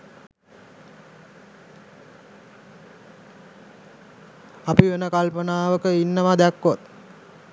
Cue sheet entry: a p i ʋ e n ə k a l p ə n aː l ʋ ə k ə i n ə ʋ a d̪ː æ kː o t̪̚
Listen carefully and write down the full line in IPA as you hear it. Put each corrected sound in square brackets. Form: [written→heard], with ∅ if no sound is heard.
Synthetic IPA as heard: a p i ʋ e n ə k a l p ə n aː [l→∅] ʋ ə k ə i [n→nː] ə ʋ a [d̪ː→d̪] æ kː o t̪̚